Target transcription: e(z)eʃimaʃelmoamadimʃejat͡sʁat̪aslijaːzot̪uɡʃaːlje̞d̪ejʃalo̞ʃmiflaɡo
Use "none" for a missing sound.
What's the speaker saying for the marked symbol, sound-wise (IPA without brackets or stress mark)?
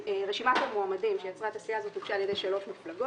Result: ʁ